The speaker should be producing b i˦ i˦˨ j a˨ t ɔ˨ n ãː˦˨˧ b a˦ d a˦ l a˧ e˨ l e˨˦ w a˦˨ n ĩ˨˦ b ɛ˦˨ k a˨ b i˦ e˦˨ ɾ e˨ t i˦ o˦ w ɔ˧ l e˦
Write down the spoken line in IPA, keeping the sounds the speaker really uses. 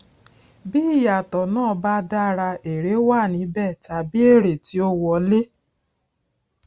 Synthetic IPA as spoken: b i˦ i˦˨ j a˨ t ɔ˨ n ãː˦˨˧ b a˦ d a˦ ɾ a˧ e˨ ɾ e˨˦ w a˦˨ n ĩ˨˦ b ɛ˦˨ t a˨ b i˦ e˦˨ ɾ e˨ t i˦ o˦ w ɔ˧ l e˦